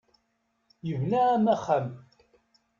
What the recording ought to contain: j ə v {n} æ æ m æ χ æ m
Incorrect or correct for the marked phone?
correct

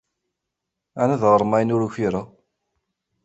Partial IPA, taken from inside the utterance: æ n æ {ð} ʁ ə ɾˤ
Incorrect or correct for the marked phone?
correct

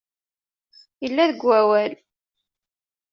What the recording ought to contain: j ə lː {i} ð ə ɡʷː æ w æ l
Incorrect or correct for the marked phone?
incorrect: æ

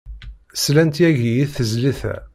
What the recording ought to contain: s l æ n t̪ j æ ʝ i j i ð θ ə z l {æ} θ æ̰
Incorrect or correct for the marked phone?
incorrect: i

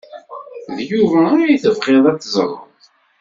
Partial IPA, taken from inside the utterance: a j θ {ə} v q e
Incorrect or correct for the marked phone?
correct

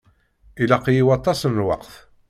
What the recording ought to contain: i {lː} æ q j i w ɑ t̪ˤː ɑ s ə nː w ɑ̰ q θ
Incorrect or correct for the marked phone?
incorrect: l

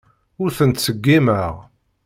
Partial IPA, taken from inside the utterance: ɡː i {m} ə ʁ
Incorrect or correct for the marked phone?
correct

